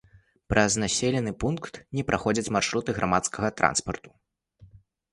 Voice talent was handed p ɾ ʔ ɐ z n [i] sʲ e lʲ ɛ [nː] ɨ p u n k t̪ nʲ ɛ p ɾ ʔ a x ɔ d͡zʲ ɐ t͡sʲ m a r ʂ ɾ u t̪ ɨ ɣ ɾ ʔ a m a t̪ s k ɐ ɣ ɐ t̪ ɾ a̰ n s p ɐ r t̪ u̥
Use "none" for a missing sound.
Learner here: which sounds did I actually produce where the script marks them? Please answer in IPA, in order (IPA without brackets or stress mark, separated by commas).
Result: a, n